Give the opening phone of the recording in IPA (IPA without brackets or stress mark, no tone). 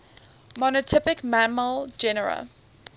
m